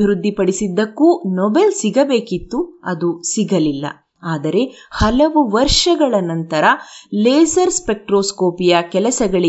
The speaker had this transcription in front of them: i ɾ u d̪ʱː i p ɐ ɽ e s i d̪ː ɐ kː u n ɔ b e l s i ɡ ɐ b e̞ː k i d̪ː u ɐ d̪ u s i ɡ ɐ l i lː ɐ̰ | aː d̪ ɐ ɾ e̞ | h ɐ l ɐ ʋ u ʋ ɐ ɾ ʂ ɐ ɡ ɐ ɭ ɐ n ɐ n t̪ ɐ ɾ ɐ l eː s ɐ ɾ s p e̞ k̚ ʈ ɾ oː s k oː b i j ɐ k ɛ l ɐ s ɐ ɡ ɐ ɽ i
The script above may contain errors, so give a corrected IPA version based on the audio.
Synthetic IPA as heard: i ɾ u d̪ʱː i p ɐ ɽ i s i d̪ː ɐ kː u n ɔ b e l s i ɡ ɐ b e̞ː k i t̪ː u ɐ d̪ u s i ɡ ɐ l i lː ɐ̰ | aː d̪ ɐ ɾ e̞ | h ɐ l ɐ ʋ u ʋ ɐ ɾ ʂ ɐ ɡ ɐ ɭ ɐ n ɐ n t̪ ɐ ɾ ɐ l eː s ɐ ɾ s p e̞ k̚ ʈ ɾ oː s k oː p i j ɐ k ɛ l ɐ s ɐ ɡ ɐ ɭ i